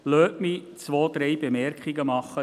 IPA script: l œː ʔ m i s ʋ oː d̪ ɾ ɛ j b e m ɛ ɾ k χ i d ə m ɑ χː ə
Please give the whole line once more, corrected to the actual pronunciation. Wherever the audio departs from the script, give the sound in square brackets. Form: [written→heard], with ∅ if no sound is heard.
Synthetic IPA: l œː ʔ m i [s→t͡s] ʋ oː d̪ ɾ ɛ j b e m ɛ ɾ k χ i [d→ɡ] ə m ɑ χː ə